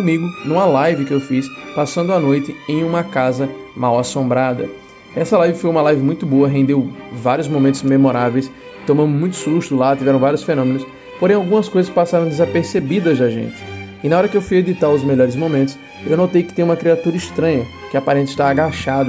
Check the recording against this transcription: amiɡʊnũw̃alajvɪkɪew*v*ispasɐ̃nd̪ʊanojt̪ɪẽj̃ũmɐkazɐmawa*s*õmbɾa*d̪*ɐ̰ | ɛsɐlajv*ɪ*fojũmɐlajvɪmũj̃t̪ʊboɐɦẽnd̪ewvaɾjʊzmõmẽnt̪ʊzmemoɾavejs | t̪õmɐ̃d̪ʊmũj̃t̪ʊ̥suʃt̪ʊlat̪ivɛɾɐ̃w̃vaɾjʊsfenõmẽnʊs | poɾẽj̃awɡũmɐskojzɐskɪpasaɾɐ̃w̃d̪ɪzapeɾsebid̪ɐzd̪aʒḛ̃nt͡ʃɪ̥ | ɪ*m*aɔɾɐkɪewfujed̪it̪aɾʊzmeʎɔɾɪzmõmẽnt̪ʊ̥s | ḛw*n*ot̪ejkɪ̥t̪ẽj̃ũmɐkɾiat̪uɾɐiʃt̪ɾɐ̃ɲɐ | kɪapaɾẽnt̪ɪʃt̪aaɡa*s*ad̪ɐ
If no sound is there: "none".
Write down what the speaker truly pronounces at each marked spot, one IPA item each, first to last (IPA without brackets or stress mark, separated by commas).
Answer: f, s, d̪, ɪ, n, n, ʃ